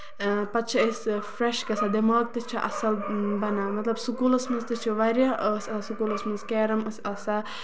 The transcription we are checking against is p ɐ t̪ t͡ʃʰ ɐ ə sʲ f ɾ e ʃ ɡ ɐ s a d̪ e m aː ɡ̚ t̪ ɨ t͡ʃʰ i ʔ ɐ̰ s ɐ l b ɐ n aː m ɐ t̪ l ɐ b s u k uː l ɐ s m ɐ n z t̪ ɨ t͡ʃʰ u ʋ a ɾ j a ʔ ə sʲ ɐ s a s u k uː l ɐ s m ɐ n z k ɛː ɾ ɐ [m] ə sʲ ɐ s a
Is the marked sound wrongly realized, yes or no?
no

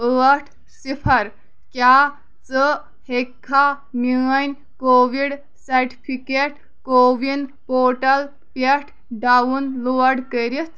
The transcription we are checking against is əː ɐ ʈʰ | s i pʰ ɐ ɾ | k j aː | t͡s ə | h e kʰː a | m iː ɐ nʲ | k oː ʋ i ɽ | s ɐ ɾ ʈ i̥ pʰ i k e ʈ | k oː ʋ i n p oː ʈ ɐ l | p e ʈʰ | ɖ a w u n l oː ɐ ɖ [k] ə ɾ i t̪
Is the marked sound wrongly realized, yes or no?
no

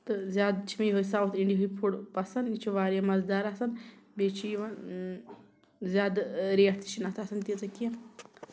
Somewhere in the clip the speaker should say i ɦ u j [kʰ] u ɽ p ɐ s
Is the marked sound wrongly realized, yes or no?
yes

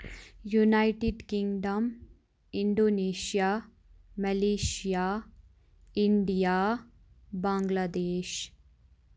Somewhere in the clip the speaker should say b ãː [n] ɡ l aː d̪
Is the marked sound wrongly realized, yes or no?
yes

